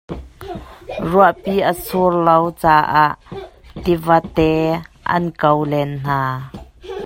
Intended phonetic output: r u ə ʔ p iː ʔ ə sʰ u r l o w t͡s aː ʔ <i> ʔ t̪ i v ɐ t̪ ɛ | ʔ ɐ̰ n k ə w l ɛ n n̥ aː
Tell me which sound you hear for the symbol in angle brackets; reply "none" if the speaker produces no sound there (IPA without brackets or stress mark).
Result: a